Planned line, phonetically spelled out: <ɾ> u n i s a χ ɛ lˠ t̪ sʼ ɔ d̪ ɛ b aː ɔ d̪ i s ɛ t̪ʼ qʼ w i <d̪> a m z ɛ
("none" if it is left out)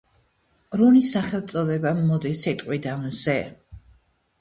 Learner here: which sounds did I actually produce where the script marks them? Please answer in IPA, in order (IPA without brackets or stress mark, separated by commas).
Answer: ɾ, d̪